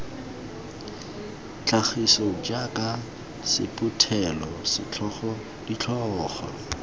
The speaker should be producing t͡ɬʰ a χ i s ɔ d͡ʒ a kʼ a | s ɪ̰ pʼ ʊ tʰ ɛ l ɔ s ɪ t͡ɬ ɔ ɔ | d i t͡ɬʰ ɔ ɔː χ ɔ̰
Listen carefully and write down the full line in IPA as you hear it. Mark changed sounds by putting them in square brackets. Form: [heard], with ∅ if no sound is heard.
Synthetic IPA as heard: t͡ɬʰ a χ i s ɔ d͡ʒ a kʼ a | s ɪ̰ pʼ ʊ tʰ ɛ l ɔ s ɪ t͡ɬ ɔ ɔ | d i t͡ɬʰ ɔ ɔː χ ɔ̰